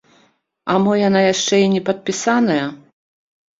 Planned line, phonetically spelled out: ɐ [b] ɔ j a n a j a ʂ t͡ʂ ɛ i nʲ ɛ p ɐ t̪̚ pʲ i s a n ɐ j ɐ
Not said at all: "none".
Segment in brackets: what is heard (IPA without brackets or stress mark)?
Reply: m